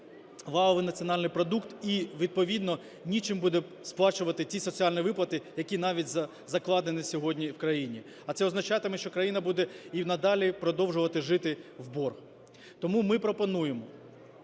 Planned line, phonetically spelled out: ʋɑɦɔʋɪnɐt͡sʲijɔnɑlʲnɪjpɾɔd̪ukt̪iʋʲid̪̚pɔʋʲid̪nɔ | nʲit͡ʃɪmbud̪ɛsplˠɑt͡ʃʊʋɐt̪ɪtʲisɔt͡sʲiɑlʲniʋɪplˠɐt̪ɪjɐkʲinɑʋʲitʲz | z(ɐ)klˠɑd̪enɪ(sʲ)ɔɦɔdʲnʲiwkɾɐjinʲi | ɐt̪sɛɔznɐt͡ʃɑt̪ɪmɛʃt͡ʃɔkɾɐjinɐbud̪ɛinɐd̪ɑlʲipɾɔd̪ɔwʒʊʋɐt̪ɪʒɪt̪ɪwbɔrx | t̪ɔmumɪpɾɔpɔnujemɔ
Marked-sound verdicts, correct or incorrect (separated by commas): correct, correct